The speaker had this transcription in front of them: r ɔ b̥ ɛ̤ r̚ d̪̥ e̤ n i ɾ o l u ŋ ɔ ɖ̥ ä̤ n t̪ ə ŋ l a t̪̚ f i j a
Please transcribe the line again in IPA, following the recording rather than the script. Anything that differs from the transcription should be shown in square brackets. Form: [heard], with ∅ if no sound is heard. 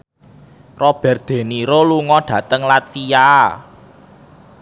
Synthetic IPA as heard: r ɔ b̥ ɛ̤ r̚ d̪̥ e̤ n i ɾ o l u ŋ ɔ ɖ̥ ä̤ [∅] t̪ ə ŋ l a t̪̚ f i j a